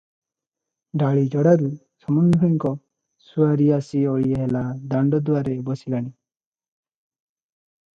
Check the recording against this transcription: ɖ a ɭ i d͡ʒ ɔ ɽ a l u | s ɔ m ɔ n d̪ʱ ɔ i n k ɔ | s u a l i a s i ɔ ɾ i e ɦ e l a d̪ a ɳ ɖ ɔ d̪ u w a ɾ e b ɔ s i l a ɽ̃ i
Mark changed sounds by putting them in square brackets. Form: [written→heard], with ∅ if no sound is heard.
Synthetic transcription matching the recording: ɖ a ɭ i d͡ʒ ɔ ɽ a [l→ɾ] u | s ɔ m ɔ n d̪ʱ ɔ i [n→ŋ] k ɔ | s u a [l→ɾ] i a s i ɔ [ɾ→ɭ] i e ɦ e l a d̪ a ɳ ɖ ɔ d̪ u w a ɾ e b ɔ s i l a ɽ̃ i